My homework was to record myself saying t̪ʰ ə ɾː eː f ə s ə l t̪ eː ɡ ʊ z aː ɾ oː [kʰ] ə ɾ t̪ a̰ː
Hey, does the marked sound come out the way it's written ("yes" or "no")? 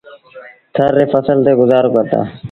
no